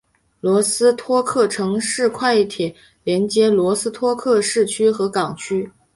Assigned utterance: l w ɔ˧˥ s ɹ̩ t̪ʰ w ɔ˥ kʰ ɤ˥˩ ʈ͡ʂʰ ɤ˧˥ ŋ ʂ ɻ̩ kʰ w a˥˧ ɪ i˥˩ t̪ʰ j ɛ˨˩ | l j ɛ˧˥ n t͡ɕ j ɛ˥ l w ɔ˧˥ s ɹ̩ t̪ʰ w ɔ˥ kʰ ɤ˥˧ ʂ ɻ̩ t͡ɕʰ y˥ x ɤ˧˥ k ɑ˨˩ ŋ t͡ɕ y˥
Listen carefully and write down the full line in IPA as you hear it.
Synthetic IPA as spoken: l w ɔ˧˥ s ɹ̩ t̪ʰ w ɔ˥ kʰ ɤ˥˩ ʈ͡ʂʰ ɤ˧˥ ŋ ʂ ɻ̩ kʰ w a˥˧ ɪ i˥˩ t̪ʰ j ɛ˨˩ | l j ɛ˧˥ n t͡ɕ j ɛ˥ l w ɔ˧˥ s ɹ̩ t̪ʰ w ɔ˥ kʰ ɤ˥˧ ʂ ɻ̩ t͡ɕʰ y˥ x ɤ˧˥ k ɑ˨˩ ŋ t͡ɕʰ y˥